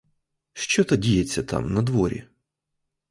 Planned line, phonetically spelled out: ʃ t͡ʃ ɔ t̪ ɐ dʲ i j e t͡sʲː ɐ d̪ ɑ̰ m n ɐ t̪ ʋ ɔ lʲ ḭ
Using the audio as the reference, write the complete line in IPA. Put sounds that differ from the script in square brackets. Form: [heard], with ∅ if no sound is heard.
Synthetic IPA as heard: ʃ t͡ʃ ɔ t̪ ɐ dʲ i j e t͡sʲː ɐ [t̪] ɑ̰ m n ɐ [d̪] ʋ ɔ [ɾʲ] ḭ